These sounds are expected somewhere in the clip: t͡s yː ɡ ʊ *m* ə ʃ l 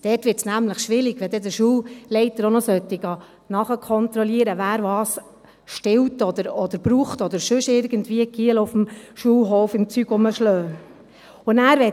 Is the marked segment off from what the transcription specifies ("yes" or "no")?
no